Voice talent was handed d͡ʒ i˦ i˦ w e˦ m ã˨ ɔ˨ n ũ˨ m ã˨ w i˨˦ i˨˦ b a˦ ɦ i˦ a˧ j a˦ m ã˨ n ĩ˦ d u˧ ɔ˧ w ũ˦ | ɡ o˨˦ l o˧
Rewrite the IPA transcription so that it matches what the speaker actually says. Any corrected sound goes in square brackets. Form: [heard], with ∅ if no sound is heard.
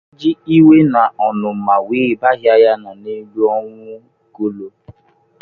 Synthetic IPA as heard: d͡ʒ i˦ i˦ w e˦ [n] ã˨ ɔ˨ n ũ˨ m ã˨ w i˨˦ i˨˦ b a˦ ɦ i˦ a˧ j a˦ [n] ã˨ n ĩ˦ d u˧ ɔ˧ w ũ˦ | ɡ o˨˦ l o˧